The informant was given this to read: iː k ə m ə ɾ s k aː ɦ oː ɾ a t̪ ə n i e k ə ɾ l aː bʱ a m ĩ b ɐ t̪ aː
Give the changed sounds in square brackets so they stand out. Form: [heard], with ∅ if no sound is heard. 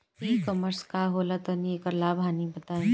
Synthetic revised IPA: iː k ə m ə ɾ s k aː ɦ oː [l] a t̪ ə n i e k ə ɾ l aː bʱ a [n] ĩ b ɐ t̪ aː